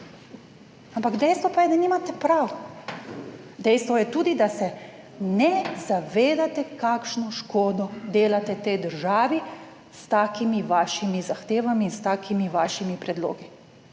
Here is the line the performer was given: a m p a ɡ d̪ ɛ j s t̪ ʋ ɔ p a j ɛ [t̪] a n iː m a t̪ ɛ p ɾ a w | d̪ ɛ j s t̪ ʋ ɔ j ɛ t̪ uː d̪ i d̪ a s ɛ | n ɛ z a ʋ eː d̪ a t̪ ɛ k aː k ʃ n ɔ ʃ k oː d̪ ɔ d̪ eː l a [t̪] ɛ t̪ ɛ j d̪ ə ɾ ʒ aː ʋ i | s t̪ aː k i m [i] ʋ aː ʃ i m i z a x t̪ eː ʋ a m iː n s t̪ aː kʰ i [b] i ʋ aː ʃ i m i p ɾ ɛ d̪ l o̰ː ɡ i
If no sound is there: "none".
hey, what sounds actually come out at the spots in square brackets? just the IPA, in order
d̪, t̪, i, m

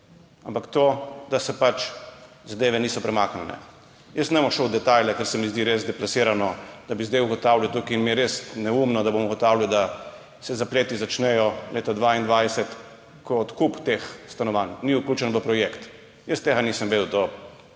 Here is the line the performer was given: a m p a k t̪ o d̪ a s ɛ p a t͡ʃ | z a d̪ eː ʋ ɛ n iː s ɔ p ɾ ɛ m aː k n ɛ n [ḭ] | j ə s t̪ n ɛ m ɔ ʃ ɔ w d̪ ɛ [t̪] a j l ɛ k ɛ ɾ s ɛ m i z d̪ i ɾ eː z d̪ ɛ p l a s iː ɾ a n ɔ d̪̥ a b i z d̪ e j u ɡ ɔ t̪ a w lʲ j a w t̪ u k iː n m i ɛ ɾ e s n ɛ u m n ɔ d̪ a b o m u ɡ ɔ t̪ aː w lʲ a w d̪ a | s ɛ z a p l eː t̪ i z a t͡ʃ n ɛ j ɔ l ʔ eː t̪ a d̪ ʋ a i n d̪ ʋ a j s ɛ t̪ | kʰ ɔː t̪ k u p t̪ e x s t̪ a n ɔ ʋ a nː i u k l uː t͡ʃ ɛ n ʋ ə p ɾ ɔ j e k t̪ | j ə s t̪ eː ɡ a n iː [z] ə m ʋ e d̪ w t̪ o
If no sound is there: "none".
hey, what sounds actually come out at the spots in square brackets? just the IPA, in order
ɛ̰, t̪, s

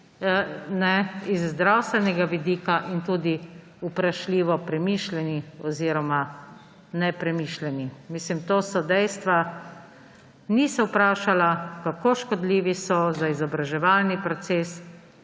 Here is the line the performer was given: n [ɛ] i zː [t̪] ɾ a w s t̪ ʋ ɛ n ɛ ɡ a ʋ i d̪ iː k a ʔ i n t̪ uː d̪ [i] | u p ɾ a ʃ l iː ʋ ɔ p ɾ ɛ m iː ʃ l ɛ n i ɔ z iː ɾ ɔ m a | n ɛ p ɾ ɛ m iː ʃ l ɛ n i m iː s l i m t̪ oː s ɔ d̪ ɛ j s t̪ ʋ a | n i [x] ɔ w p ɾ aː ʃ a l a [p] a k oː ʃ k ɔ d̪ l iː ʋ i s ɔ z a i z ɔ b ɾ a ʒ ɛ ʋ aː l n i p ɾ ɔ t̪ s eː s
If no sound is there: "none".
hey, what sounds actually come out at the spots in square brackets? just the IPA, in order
ɛ, d̪, i, s, k

